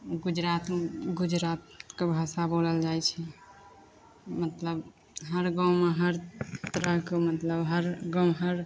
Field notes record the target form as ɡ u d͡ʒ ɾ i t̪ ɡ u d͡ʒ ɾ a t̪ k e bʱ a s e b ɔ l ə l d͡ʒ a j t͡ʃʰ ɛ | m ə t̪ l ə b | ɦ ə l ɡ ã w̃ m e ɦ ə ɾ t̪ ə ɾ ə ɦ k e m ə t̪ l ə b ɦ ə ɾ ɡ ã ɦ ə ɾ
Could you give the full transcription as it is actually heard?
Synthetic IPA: ɡ u d͡ʒ ɾ a t̪ ɡ u d͡ʒ ɾ a t̪ k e bʱ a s a b o l ə l d͡ʒ a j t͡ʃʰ ɛ | m ə t̪ l ə b | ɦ ə ɾ ɡ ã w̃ m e ɦ ə ɾ t̪ ə ɾ ə ɦ k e m ə t̪ l ə b ɦ ə ɾ ɡ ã ɦ ə ɾ